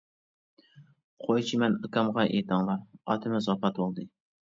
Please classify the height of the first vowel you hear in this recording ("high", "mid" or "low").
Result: mid